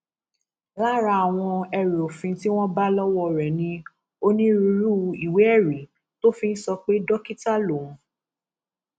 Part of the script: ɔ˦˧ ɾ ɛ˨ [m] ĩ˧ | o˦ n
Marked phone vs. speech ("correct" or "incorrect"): incorrect